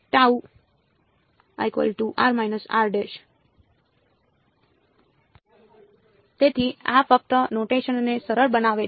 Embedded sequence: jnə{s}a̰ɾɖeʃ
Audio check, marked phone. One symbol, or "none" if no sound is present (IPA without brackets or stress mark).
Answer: s